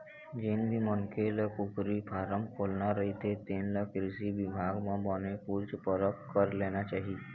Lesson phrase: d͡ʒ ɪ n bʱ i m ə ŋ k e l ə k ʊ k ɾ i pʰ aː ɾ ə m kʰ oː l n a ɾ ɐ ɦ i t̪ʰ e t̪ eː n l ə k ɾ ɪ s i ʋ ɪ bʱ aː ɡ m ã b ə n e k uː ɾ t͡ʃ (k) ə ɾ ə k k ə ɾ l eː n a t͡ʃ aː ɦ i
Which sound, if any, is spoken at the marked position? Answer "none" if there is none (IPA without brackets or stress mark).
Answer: p